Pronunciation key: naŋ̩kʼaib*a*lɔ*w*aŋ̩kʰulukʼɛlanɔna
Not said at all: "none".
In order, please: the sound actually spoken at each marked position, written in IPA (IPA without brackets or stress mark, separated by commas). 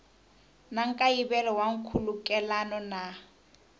ɛ, w